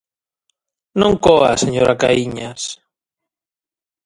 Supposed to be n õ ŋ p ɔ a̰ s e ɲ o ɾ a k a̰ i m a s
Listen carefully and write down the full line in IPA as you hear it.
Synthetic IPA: n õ ŋ k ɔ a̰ s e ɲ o ɾ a k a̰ i ɲ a s